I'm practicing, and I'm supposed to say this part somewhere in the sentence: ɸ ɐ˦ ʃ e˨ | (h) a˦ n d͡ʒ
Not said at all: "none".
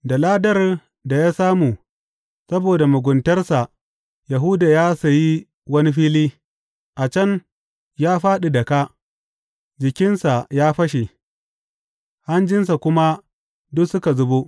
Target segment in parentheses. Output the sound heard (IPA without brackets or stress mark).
h